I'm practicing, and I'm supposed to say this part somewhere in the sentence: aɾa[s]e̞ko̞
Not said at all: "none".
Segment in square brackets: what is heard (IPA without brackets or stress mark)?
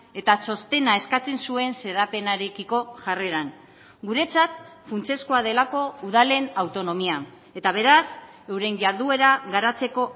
t͡s